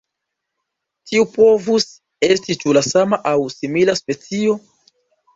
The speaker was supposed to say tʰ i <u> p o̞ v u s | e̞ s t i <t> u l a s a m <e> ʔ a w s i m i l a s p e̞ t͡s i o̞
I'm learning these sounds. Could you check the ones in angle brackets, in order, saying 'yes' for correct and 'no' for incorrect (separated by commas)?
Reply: yes, no, no